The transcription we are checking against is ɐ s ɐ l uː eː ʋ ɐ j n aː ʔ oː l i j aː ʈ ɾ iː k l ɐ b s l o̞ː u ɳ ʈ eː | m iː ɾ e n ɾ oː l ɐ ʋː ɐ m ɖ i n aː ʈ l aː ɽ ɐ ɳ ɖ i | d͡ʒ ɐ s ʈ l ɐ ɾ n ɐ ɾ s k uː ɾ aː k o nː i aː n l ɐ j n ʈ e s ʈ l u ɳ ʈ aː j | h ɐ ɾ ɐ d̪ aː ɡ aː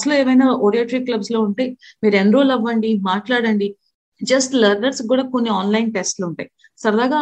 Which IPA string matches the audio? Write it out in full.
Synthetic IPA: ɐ s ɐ l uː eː ʋ ɐ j n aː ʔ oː ɽ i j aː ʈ ɾ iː k l ɐ b s l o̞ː u ɳ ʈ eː | m iː ɾ e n ɾ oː l ɐ ʋː ɐ ɳ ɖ i m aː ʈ l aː ɽ ɐ ɳ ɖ i | d͡ʒ ɐ s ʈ l ɐ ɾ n ɐ ɾ s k uː ɽ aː k o nː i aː n l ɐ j n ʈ e s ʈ l u ɳ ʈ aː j | s ɐ ɾ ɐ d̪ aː ɡ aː